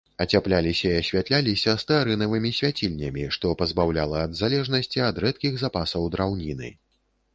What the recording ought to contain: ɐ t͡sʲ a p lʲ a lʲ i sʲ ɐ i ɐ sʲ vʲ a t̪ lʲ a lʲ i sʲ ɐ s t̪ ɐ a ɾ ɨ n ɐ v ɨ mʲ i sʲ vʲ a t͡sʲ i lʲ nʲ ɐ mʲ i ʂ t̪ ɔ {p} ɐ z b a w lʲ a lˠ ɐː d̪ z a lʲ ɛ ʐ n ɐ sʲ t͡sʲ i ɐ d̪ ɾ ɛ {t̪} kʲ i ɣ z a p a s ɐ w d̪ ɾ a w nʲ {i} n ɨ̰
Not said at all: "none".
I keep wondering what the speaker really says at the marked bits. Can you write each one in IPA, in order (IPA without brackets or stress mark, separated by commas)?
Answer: p, t̪, i